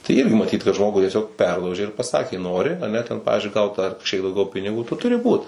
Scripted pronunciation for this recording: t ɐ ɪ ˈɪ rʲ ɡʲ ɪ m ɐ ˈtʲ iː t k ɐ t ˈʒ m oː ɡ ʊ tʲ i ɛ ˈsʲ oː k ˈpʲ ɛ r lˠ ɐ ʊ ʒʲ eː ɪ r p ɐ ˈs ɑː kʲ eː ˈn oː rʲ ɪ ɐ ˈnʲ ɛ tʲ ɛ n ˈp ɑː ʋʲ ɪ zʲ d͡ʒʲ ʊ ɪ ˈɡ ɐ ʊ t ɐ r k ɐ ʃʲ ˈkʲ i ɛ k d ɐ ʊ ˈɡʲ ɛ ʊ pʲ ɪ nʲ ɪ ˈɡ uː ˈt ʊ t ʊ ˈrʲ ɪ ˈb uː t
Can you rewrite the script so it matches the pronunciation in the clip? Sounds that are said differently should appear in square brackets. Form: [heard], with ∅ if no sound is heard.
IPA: t ɐ ɪ ˈɪ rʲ ɡʲ ɪ m ɐ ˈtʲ iː t k ɐ t ˈʒ m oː ɡ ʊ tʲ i ɛ ˈsʲ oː k ˈpʲ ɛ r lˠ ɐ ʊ ʒʲ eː ɪ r p ɐ ˈs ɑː kʲ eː ˈn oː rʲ ɪ ɐ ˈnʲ ɛ tʲ ɛ n ˈp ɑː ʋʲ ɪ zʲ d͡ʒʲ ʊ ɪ ˈɡ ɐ ʊ t ɐ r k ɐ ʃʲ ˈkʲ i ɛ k d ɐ ʊ ˈɡʲ ɛ ʊ pʲ ɪ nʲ ɪ ˈɡ uː ˈt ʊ t ʊ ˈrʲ ɪ ˈb uː t

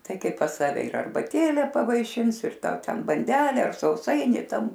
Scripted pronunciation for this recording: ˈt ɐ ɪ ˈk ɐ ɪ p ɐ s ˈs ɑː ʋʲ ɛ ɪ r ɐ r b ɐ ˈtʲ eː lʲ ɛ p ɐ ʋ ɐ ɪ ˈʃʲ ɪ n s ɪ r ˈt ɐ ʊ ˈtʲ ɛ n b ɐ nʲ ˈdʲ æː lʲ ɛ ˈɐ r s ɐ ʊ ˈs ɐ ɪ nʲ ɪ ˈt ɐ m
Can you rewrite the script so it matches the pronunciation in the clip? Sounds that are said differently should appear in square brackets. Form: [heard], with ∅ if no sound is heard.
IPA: ˈt ɐ ɪ ˈk ɐ ɪ p ɐ s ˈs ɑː ʋʲ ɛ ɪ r ɐ r b ɐ ˈtʲ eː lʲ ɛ p ɐ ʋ ɐ ɪ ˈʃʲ ɪ n s ɪ r ˈt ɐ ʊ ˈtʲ ɛ n b ɐ nʲ ˈdʲ æː lʲ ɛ ˈɐ r s ɐ ʊ ˈs ɐ ɪ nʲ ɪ ˈt ɐ m

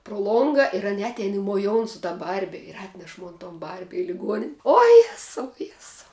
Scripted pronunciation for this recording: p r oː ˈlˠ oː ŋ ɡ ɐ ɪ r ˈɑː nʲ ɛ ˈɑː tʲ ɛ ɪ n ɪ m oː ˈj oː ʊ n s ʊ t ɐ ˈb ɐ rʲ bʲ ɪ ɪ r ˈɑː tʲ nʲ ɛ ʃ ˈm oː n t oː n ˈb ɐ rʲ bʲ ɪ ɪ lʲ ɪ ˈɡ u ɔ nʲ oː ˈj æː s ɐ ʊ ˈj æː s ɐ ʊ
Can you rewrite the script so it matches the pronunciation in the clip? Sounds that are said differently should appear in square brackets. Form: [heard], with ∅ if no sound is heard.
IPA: p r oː ˈlˠ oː ŋ ɡ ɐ ɪ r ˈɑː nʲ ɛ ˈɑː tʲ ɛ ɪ n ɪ m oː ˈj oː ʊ n s ʊ t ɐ ˈb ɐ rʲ bʲ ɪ ɪ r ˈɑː tʲ nʲ ɛ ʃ ˈm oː n t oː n ˈb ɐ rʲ bʲ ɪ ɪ lʲ ɪ ˈɡ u ɔ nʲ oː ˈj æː s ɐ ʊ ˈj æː s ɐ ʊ

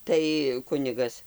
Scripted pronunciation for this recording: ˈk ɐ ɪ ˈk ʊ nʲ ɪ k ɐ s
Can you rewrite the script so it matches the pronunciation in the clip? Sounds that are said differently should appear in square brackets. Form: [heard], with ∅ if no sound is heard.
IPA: [ˈt] ɐ ɪ ˈk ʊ nʲ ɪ [ɡ] ɐ s

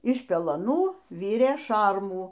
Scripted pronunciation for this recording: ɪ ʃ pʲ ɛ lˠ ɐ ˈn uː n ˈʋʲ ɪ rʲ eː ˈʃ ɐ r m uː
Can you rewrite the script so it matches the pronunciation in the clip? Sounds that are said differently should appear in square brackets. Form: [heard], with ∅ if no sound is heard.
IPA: ɪ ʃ pʲ ɛ lˠ ɐ ˈn uː [∅] ˈʋʲ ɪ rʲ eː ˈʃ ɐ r m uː

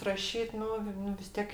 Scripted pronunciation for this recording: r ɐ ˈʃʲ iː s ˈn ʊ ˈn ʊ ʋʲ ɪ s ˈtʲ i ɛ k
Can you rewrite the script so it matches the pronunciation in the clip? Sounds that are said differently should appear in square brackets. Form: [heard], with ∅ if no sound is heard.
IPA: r ɐ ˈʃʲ iː [t] ˈn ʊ ˈn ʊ ʋʲ ɪ s ˈtʲ i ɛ k

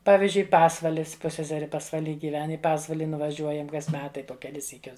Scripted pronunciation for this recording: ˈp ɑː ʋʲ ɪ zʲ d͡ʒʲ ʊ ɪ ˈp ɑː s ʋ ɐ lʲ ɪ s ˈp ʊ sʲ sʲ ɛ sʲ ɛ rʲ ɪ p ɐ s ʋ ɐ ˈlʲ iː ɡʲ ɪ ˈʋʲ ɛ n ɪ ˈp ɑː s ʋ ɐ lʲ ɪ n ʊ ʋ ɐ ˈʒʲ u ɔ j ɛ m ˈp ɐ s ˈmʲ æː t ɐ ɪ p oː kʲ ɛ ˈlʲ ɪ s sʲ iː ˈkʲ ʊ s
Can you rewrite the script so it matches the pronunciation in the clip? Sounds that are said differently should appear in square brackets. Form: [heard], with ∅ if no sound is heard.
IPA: ˈp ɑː ʋʲ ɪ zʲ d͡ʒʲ ʊ ɪ ˈp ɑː s ʋ ɐ lʲ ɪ s ˈp ʊ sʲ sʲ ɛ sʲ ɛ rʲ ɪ p ɐ s ʋ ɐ ˈlʲ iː ɡʲ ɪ ˈʋʲ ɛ n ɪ ˈp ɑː s ʋ ɐ lʲ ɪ n ʊ ʋ ɐ ˈʒʲ u ɔ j ɛ m [ˈk] ɐ s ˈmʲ æː t ɐ ɪ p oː kʲ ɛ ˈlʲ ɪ s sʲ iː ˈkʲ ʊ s

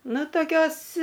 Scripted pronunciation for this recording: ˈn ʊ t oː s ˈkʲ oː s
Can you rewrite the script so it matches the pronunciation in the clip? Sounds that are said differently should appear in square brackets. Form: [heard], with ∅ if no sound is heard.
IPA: ˈn ʊ t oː [∅] ˈkʲ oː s

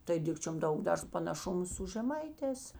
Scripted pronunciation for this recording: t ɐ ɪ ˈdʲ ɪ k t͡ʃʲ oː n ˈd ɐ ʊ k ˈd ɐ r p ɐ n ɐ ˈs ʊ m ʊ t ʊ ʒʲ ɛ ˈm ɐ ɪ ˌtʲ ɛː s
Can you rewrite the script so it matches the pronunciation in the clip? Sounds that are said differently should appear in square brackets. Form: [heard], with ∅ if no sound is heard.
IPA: t ɐ ɪ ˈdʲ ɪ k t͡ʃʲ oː [m] ˈd ɐ ʊ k ˈd ɐ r p ɐ n ɐ [ˈʃ] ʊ m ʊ [s] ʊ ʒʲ ɛ ˈm ɐ ɪ ˌtʲ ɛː s

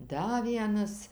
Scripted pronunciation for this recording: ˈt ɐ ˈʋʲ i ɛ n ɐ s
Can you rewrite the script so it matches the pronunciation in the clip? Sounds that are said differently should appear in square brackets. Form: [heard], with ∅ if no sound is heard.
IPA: [ˈd] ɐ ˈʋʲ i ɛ n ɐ s

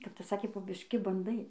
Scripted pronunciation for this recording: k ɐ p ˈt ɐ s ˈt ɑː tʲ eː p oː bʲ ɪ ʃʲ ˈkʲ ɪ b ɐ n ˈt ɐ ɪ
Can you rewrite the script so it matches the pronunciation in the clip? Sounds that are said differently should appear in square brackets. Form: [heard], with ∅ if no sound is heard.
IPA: k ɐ p ˈt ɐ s [ˈs] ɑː [kʲ] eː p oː bʲ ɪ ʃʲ ˈkʲ ɪ b ɐ n [ˈd] ɐ ɪ

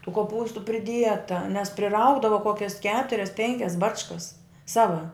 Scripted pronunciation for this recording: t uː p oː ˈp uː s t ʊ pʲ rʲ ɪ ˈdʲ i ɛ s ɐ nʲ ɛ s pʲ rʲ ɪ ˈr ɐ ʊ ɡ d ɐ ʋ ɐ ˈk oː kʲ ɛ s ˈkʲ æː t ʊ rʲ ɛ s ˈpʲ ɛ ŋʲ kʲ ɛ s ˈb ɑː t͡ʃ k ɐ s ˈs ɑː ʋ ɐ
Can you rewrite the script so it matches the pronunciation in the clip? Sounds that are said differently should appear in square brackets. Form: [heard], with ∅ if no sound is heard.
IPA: t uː [k] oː ˈp uː s t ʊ pʲ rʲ ɪ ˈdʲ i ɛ [t] ɐ nʲ ɛ s pʲ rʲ ɪ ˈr ɐ ʊ ɡ d ɐ ʋ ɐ ˈk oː kʲ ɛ s ˈkʲ æː t ʊ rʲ ɛ s ˈpʲ ɛ ŋʲ kʲ ɛ s ˈb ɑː t͡ʃ k ɐ s ˈs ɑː ʋ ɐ

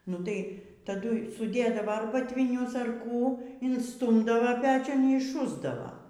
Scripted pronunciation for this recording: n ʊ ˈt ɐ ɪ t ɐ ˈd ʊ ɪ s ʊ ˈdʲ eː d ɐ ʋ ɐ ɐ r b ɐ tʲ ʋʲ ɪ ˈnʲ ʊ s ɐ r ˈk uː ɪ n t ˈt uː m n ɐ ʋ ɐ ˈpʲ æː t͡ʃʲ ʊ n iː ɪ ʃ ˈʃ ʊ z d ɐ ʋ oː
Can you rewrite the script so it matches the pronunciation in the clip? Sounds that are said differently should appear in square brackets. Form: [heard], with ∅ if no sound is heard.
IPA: n ʊ ˈt ɐ ɪ t ɐ ˈd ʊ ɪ s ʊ ˈdʲ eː d ɐ ʋ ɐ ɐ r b ɐ tʲ ʋʲ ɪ ˈnʲ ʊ s ɐ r ˈk uː ɪ n [s] ˈt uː m [d] ɐ ʋ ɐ ˈpʲ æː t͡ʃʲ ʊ n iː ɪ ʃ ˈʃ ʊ z d ɐ ʋ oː

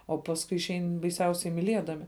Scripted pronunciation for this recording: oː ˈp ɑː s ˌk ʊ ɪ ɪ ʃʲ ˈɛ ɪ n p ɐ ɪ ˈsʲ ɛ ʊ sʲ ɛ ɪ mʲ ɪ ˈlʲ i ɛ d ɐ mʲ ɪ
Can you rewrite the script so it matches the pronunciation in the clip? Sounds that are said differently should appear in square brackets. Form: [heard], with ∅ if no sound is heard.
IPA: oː ˈp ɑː s ˌk ʊ ɪ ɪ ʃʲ ˈɛ ɪ n [b] ɐ ɪ ˈsʲ ɛ ʊ sʲ ɛ ɪ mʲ ɪ ˈlʲ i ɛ d ɐ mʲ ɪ

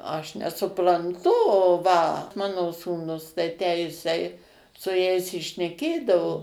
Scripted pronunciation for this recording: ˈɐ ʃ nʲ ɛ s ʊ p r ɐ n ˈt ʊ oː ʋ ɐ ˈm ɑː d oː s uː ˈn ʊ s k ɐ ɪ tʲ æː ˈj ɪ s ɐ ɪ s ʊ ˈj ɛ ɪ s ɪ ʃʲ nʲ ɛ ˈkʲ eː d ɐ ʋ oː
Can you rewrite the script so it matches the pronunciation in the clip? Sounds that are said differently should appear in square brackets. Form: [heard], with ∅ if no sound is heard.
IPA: ˈɐ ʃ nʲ ɛ s ʊ p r ɐ n ˈt ʊ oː ʋ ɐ ˈm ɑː [n] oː s uː ˈn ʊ s [t] ɐ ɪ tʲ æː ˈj ɪ s ɐ ɪ s ʊ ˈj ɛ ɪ s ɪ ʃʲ nʲ ɛ ˈkʲ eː d ɐ ʋ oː

